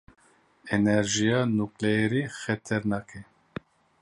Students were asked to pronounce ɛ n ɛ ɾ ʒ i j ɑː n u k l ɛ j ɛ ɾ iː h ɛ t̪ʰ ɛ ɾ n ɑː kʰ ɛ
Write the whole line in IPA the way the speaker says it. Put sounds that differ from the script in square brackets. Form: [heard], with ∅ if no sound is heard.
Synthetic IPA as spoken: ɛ n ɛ ɾ ʒ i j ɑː n u k l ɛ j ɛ ɾ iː [x] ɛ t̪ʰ ɛ ɾ n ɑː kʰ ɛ